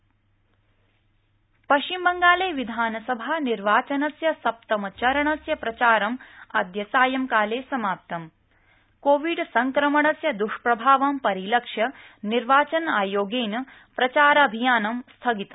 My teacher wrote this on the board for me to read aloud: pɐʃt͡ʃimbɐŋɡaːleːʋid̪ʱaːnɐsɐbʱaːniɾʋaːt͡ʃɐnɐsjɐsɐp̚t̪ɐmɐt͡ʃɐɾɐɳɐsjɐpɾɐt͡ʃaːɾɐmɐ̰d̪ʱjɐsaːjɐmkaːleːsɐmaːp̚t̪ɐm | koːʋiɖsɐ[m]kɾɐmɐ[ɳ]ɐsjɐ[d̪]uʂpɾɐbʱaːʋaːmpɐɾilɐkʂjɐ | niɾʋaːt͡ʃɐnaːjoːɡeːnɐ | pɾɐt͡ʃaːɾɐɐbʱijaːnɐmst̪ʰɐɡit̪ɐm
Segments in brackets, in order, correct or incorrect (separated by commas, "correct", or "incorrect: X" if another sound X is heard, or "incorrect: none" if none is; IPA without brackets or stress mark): incorrect: ŋ, correct, correct